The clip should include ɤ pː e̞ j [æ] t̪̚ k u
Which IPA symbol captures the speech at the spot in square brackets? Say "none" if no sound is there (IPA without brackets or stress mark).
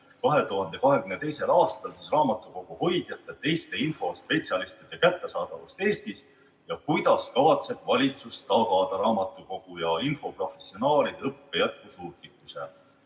æ